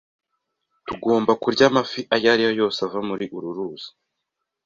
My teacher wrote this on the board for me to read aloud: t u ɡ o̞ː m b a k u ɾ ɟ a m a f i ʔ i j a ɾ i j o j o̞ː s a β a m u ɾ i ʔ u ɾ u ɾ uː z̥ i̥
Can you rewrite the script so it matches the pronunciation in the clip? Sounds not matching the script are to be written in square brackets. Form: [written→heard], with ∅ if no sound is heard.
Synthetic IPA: t u ɡ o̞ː m b a k u ɾ ɟ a m a f i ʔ [i→a] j a ɾ i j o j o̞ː s a [β→v] a m u ɾ i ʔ u ɾ u ɾ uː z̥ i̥

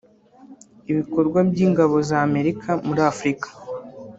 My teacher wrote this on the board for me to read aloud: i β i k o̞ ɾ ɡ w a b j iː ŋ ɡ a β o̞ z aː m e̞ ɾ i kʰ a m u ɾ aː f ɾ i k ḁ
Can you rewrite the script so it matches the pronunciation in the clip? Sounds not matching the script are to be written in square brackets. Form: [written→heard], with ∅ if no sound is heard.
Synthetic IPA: i β i k o̞ ɾ ɡ w a b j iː ŋ ɡ a β o̞ z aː m e̞ ɾ i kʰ a m u ɾ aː f ɾ i k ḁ

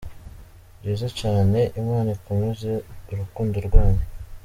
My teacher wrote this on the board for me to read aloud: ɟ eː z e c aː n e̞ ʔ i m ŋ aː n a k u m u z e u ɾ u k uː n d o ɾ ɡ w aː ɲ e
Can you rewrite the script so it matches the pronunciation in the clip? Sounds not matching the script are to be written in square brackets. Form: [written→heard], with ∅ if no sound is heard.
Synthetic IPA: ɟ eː z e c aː n e̞ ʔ i m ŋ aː n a k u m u z e u ɾ u k uː n d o ɾ ɡ w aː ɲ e

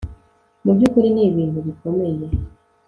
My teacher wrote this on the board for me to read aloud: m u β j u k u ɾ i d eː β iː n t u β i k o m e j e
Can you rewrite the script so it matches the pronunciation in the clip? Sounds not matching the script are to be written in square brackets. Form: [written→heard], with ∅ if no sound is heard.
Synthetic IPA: m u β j u k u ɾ i [d→n] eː β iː n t u β i k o m e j e

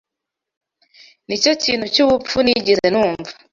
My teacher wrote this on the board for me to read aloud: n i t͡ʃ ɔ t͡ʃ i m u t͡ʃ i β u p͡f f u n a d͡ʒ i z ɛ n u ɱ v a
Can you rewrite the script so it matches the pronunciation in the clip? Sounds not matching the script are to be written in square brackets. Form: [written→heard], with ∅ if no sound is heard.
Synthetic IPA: n i t͡ʃ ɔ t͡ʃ i [m→n] u t͡ʃ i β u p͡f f u n [a→i] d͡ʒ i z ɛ n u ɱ v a

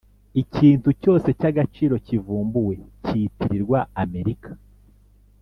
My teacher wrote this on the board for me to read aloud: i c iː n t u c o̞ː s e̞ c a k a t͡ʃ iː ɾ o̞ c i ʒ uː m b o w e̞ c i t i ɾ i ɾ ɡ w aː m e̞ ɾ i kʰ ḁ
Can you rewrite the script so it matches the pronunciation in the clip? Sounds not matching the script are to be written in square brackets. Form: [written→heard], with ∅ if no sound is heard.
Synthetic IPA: i c iː n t u c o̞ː s e̞ c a [k→ɡ] a t͡ʃ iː ɾ o̞ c i [ʒ→v] uː m b [o→u] w e̞ c i t i ɾ i ɾ ɡ w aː m e̞ ɾ i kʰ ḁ

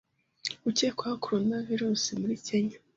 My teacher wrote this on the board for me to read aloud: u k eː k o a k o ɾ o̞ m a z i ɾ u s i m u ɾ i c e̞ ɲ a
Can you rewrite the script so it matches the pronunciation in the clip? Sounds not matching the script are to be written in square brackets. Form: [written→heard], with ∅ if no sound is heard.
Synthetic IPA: u [k→c] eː k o a k o ɾ o̞ [m→n] a [z→v] i ɾ u s i m u ɾ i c e̞ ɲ a

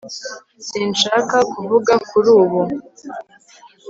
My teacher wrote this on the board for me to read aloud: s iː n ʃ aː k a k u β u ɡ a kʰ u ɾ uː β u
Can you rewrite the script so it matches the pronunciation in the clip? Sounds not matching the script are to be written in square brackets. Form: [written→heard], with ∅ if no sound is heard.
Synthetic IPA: s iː n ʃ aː k a k u [β→v] u ɡ a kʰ u ɾ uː β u

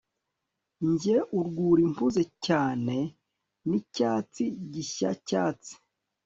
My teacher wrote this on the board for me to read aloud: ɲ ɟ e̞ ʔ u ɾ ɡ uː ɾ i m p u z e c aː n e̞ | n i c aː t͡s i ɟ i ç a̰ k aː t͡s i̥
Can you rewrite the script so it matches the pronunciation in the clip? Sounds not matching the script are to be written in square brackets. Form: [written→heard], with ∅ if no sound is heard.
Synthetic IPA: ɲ ɟ e̞ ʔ u ɾ ɡ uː ɾ i m p u z e c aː n e̞ | n i c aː t͡s i ɟ i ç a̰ [k→c] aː t͡s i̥

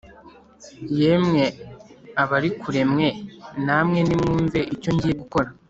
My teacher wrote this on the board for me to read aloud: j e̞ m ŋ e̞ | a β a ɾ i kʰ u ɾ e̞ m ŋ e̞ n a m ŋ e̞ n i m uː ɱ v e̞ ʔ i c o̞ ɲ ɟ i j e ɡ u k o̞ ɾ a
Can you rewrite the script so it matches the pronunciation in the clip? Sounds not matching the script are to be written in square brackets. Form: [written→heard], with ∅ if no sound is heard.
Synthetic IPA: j e̞ m ŋ e̞ | a β a ɾ i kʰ u ɾ e̞ m ŋ e̞ n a m ŋ e̞ n i m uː ɱ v e̞ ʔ i c o̞ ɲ ɟ i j e ɡ u k o̞ ɾ a

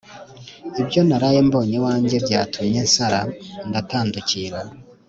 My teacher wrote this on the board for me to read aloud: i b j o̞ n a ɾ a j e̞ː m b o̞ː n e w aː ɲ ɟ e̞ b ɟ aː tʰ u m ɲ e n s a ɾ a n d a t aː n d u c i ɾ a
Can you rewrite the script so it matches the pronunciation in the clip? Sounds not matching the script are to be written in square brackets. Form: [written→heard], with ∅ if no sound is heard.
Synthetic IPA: i b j o̞ n a ɾ a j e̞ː m b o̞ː [n→ɲ] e w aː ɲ ɟ e̞ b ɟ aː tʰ u m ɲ e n s a ɾ a n d a t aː n d u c i ɾ a

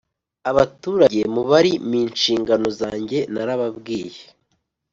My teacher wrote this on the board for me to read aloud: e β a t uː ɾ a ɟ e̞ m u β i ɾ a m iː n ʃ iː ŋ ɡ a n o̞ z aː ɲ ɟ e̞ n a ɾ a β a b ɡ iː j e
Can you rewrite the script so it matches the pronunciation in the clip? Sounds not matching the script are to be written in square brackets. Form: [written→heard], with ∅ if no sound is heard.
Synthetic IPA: [e→a] β a t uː ɾ a ɟ e̞ m u β [i→a] ɾ [a→i] m iː n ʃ iː ŋ ɡ a n o̞ z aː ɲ ɟ e̞ n a ɾ a β a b ɡ iː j e

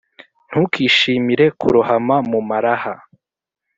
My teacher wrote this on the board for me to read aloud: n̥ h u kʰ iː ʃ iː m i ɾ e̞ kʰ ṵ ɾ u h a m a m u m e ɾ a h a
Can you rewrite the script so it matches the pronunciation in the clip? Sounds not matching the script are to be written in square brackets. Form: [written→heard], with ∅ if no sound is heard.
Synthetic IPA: n̥ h u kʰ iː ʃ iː m i ɾ e̞ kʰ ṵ ɾ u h a m a m u m [e→a] ɾ a h a

